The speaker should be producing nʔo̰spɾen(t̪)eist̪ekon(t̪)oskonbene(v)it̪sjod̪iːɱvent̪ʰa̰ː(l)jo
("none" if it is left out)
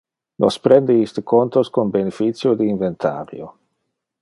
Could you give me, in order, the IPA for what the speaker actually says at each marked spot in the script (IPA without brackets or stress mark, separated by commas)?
d̪, t̪, f, ɾ